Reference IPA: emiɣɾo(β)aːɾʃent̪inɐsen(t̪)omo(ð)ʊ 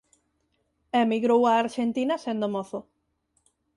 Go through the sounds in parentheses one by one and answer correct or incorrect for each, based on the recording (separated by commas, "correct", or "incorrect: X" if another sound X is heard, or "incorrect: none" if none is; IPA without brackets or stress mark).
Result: incorrect: w, incorrect: d̪, incorrect: θ